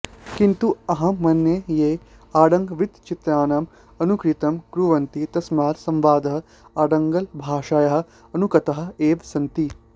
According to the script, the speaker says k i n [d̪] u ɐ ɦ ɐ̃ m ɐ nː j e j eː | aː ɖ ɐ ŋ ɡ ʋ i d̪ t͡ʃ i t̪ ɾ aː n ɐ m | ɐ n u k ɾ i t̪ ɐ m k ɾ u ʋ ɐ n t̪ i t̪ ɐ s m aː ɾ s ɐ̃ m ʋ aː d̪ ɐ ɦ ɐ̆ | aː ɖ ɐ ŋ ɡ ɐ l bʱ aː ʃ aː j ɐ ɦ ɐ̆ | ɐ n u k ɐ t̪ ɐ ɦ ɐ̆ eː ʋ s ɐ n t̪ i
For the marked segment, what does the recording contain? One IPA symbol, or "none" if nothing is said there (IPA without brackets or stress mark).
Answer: t̪